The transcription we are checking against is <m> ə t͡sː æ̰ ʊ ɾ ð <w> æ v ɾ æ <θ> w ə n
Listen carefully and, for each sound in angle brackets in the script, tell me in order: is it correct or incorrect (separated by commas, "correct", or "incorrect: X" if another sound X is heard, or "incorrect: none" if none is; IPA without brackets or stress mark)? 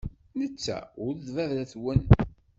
incorrect: n, incorrect: v, correct